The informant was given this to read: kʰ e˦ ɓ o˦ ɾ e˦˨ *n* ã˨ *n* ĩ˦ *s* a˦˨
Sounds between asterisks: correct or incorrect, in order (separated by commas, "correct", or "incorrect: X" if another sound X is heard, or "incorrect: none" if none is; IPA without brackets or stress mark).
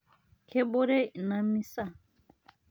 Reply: correct, incorrect: m, correct